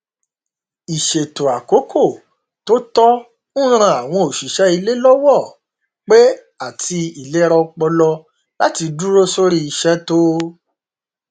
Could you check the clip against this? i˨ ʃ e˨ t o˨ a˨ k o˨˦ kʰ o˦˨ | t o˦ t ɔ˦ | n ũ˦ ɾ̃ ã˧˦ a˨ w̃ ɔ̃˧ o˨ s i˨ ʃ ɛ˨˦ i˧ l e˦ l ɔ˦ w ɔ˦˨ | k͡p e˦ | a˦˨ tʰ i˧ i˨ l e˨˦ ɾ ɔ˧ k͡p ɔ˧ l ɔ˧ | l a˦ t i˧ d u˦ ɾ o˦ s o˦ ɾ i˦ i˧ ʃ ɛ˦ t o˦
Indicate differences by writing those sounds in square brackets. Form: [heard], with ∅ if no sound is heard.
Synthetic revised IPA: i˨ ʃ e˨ t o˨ a˨ k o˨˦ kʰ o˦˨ | t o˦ t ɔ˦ | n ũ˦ ɾ̃ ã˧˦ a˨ w̃ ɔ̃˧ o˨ [ʃ] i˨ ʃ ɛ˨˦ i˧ l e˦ l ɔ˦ w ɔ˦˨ | k͡p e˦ | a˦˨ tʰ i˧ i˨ l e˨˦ ɾ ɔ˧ k͡p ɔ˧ l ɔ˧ | l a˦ t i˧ d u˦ ɾ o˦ s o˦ ɾ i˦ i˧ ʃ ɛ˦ t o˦